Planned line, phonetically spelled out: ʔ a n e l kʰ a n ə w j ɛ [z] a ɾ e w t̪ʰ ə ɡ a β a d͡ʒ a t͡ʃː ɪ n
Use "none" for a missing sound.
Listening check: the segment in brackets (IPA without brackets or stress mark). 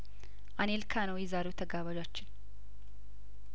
z